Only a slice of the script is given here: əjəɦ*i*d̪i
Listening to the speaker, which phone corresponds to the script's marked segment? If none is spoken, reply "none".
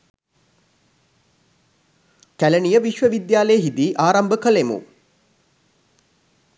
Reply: i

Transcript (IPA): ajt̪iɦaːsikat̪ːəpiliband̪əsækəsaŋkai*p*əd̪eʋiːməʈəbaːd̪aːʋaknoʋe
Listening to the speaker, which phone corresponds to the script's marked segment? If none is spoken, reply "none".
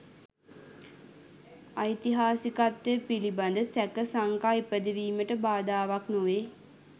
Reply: p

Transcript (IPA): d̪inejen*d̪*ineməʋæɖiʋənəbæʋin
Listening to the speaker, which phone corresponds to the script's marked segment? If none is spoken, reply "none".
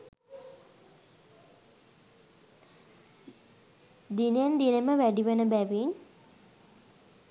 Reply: d̪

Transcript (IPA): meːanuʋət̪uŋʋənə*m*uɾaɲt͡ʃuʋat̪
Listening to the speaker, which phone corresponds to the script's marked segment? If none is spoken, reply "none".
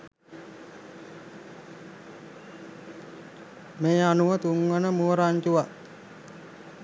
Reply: m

